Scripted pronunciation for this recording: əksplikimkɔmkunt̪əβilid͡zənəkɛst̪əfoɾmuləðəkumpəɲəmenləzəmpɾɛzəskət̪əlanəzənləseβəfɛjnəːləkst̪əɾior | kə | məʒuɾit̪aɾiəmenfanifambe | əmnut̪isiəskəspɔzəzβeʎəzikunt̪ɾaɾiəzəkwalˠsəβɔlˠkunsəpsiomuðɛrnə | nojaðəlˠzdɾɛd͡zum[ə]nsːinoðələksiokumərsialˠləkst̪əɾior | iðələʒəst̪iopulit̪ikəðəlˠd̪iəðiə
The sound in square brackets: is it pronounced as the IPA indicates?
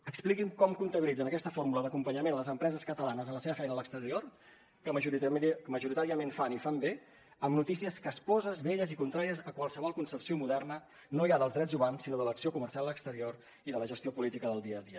no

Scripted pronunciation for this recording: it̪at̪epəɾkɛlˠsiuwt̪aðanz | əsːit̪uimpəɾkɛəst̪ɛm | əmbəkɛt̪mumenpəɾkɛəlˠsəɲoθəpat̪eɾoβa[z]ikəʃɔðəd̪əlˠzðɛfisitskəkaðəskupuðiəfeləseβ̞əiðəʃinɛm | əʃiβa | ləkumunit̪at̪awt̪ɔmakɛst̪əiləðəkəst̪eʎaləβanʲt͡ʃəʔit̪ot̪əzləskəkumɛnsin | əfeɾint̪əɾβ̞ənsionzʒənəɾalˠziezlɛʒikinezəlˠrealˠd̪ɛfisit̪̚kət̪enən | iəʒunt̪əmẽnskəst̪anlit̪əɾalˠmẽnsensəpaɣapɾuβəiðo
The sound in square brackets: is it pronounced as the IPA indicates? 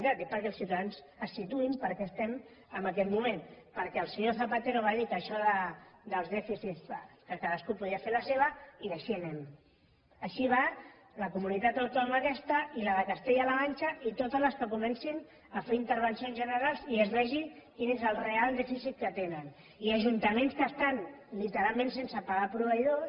no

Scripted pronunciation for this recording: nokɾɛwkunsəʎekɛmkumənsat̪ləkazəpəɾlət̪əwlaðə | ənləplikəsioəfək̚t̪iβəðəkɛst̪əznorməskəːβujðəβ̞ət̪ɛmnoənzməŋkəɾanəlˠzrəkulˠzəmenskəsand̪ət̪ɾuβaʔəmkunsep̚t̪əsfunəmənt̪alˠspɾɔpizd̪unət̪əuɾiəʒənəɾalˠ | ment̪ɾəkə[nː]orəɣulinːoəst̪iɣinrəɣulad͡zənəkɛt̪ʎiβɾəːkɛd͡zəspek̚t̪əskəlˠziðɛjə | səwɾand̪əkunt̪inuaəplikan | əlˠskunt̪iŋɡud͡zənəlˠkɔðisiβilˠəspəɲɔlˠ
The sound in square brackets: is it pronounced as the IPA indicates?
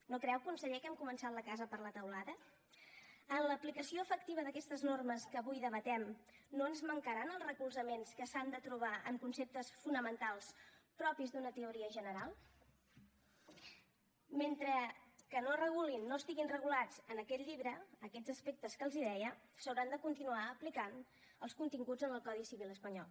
no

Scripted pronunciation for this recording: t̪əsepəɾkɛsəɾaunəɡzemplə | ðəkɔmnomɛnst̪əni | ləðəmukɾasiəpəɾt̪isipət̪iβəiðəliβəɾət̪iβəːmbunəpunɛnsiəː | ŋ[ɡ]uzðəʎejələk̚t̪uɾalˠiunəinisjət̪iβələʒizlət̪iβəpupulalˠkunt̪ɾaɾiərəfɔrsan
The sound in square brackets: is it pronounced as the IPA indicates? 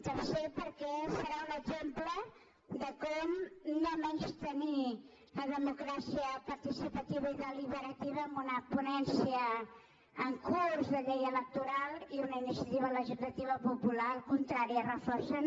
no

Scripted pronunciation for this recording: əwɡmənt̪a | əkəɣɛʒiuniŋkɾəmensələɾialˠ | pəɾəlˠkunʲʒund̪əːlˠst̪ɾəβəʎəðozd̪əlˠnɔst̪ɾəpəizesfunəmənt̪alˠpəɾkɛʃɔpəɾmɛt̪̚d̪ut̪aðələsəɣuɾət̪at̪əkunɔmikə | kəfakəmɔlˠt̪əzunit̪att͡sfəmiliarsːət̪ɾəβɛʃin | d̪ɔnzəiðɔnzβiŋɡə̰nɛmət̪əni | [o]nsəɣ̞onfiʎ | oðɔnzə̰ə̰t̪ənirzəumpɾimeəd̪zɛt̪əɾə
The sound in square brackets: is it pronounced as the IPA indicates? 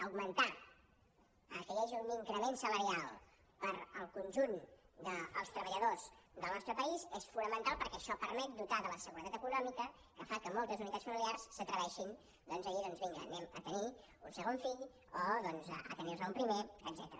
no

